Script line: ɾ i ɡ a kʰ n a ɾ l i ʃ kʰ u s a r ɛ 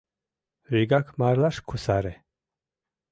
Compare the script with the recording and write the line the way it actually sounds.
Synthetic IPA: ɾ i ɡ a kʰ m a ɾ l a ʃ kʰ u s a ɾ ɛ